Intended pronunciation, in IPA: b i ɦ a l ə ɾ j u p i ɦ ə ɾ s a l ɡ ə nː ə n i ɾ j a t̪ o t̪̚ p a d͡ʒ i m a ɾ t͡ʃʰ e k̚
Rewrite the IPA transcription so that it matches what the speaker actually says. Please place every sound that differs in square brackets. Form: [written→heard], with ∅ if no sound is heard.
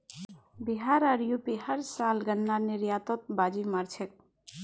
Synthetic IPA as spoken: b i ɦ a [l→ɾ] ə ɾ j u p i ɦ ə ɾ s a l ɡ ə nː [ə→a] n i ɾ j a t̪ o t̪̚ [p→b] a d͡ʒ i m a ɾ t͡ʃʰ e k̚

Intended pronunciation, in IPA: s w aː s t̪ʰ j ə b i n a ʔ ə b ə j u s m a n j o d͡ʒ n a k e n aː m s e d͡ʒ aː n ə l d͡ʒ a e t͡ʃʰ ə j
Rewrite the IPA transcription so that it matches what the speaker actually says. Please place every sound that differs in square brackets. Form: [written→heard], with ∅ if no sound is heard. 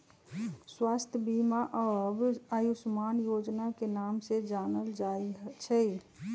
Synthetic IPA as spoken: s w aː s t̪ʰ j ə b i [n→m] a ʔ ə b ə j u s m a n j o d͡ʒ n a k e n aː m s e d͡ʒ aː n ə l d͡ʒ a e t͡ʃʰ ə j

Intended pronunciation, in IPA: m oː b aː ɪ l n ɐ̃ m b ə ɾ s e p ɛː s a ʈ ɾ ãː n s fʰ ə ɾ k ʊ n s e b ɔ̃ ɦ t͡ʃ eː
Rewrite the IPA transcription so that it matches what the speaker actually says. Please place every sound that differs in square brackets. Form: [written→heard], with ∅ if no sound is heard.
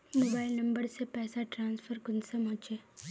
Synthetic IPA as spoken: m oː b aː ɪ l n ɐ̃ m b ə ɾ s e p ɛː s a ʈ ɾ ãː n s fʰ ə ɾ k ʊ n s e [b→m] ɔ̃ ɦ t͡ʃ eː

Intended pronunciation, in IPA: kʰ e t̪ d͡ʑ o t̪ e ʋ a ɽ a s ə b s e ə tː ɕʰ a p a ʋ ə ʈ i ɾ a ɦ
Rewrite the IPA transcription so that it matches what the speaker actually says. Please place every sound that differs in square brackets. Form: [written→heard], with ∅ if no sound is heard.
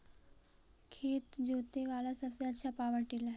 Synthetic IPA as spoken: kʰ e t̪ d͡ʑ o t̪ e ʋ a [ɽ→l] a s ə b s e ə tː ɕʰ a p a ʋ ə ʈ i [ɾ→l] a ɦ

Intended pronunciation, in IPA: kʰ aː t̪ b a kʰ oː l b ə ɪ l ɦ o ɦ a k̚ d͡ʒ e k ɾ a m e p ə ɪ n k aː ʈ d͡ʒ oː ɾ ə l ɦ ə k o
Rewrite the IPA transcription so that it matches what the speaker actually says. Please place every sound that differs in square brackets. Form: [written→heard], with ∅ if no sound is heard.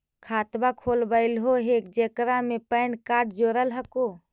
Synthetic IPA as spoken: kʰ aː t̪ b a kʰ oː l b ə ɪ l ɦ o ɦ [a→e] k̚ d͡ʒ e k ɾ a m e p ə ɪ n k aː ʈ d͡ʒ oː ɾ ə l ɦ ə k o

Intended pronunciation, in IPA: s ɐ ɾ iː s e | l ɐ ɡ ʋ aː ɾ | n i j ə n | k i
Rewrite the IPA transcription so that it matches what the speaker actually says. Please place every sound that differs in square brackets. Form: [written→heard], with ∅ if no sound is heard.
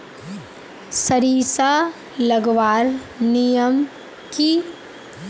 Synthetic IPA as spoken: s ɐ ɾ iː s [e→a] | l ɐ ɡ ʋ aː ɾ | n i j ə [n→m] | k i

